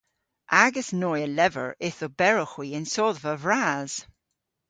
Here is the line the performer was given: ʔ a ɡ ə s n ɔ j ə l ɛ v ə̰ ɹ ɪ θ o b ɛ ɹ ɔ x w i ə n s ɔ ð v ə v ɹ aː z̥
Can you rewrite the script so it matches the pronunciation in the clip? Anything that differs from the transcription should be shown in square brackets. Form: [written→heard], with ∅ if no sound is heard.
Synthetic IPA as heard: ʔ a ɡ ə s n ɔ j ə l ɛ v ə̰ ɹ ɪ θ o b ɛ ɹ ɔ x w i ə n s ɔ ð v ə v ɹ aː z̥